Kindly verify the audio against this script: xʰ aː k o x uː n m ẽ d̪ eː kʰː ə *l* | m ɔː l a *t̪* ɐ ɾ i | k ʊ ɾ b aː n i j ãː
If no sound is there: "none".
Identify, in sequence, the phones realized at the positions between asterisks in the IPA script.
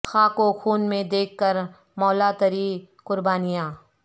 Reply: ɾ, t̪

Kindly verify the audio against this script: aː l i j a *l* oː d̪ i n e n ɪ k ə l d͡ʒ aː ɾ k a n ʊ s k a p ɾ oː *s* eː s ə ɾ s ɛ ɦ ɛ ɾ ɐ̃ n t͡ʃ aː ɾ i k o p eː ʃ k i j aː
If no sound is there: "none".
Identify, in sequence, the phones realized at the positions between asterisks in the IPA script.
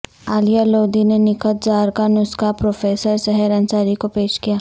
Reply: l, f

